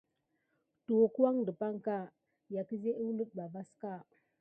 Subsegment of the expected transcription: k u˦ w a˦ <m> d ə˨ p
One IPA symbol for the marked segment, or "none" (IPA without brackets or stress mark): ŋ